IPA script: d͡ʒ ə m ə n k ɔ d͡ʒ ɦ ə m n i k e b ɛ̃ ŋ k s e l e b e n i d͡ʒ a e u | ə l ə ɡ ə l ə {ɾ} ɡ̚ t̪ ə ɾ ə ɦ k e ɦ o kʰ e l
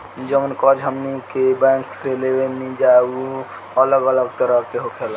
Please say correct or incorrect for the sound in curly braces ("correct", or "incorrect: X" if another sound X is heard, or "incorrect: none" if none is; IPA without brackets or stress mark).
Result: incorrect: none